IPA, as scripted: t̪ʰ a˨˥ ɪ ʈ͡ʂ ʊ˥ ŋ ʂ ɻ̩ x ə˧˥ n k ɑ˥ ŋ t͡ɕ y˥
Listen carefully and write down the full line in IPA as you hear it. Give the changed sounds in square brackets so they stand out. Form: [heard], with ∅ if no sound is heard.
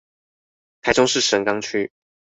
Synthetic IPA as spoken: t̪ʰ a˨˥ ɪ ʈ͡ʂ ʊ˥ ŋ ʂ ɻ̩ [ʂ] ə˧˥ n k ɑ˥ ŋ [t͡ɕʰ] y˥